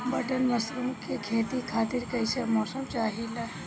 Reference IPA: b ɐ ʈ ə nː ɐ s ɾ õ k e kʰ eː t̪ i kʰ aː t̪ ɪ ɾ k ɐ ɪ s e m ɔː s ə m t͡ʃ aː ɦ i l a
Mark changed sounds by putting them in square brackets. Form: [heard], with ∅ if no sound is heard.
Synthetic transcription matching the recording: b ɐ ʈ ə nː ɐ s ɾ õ k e kʰ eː t̪ i kʰ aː t̪ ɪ ɾ k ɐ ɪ s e m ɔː s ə m t͡ʃ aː ɦ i l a